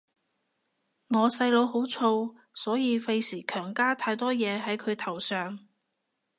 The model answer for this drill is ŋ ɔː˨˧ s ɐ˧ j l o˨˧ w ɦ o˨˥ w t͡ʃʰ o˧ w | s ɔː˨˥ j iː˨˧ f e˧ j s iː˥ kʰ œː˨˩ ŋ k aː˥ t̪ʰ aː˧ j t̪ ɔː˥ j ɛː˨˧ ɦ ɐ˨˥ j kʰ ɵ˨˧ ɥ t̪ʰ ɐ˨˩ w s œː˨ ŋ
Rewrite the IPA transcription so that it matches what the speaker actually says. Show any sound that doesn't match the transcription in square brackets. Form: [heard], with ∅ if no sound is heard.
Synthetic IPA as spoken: ŋ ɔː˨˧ s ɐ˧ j l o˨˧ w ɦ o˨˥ w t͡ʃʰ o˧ w | s ɔː˨˥ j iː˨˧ f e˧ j s [iː˨˩] kʰ œː˨˩ ŋ k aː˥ t̪ʰ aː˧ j t̪ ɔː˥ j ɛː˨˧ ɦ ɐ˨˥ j kʰ ɵ˨˧ ɥ t̪ʰ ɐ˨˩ w s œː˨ ŋ